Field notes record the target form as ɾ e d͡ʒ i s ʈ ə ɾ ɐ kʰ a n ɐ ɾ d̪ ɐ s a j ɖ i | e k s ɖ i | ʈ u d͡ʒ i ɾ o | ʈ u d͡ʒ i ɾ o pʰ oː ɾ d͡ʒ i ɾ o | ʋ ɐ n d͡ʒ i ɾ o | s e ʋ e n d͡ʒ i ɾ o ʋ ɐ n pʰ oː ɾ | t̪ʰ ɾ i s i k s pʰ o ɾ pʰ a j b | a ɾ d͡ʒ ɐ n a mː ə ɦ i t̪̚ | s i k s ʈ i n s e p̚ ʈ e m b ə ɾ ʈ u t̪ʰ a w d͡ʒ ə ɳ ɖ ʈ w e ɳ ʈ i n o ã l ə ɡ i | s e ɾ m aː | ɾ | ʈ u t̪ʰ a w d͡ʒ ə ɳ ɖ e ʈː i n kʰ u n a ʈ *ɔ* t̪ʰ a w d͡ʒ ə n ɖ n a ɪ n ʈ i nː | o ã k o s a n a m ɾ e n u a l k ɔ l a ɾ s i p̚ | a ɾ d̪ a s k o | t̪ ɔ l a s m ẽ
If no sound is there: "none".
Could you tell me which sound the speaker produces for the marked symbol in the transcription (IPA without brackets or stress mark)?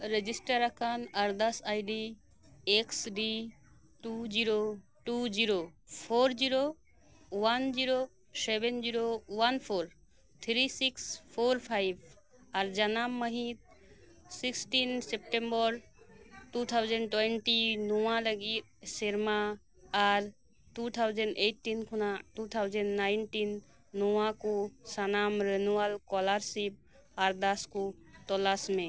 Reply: u